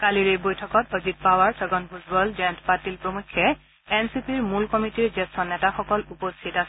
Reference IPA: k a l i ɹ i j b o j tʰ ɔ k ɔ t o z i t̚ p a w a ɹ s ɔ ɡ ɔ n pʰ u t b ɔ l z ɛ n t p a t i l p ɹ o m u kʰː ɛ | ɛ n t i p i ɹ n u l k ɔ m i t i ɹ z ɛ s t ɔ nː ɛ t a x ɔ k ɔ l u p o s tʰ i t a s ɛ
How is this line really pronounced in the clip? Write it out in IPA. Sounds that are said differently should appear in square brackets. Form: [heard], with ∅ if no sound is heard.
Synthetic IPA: k a l i ɹ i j b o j tʰ ɔ k ɔ t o z i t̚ p a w a ɹ s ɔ ɡ ɔ n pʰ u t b ɔ l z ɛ n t p a t i l p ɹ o m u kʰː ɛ | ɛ n [s] i p i ɹ [m] u l k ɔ m i t i ɹ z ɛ s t ɔ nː ɛ t a x ɔ k ɔ l u p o s tʰ i t a s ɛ